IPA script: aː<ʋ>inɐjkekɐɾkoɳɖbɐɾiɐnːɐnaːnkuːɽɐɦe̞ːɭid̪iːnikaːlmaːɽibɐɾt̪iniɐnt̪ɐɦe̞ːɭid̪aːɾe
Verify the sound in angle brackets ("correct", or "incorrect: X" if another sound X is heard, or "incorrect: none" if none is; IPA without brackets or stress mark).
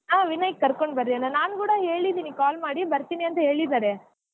correct